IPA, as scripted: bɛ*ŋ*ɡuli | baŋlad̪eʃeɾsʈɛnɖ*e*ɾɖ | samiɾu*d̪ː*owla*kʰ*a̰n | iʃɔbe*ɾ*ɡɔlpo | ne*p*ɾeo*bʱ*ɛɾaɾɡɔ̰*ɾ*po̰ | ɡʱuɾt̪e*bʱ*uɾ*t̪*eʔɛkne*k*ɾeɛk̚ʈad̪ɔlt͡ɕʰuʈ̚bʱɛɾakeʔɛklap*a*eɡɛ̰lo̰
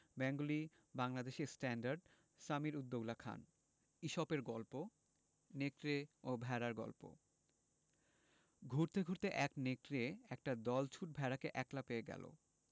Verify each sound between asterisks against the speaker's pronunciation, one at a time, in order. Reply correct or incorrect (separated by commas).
correct, incorrect, correct, correct, correct, incorrect, correct, incorrect, incorrect, correct, correct, incorrect